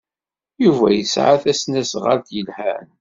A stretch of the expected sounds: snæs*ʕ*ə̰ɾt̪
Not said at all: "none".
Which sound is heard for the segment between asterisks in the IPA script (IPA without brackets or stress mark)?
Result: ʁ